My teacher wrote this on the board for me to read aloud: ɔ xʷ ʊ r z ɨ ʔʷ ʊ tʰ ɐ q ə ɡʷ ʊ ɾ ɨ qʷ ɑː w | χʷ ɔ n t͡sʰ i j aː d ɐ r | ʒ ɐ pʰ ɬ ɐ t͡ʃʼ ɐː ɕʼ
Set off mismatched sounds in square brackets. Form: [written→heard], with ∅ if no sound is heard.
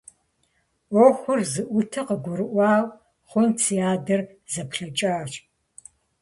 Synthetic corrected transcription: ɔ xʷ ʊ r z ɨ ʔʷ ʊ tʰ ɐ q ə ɡʷ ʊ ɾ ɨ [qʷ→ʔʷ] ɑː w | χʷ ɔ n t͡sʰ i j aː d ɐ r | [ʒ→z] ɐ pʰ ɬ ɐ t͡ʃʼ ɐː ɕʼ